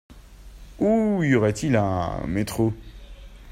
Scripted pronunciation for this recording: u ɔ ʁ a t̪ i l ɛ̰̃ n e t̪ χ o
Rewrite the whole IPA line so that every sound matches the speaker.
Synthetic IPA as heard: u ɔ ʁ ɛ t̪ i l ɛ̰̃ m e t̪ χ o